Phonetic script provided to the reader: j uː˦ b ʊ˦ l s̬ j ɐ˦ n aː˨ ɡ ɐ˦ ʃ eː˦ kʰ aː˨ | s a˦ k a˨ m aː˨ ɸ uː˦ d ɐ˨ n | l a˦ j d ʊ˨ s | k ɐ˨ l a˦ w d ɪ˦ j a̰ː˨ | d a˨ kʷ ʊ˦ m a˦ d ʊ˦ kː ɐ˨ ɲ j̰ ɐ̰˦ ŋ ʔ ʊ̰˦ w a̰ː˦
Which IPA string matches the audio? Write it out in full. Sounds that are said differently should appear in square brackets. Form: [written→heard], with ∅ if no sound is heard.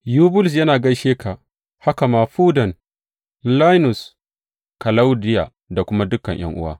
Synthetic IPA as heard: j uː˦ b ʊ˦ l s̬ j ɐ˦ n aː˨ ɡ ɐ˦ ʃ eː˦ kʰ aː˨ | [s→h] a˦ k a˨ m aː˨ ɸ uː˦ d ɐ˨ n | l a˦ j [d→n] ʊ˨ s | k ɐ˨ l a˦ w d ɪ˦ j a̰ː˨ | d a˨ kʷ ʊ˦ m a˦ d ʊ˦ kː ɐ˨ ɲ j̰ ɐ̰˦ ŋ ʔ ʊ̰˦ w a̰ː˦